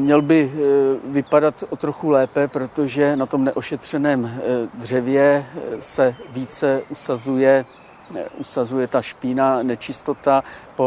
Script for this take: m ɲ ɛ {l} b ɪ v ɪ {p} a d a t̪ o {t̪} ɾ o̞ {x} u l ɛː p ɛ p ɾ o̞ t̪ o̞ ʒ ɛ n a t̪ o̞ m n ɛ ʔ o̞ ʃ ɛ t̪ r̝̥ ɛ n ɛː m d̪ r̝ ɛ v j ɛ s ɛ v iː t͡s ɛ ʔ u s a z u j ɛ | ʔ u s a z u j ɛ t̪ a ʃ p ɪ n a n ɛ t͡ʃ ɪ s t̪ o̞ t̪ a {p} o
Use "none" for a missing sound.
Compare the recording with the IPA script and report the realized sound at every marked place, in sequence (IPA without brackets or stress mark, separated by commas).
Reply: l, p, t̪, x, p